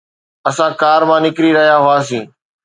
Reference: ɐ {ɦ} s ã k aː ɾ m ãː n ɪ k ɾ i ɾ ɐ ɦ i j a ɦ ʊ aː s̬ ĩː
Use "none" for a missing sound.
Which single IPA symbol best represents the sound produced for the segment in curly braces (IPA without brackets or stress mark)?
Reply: none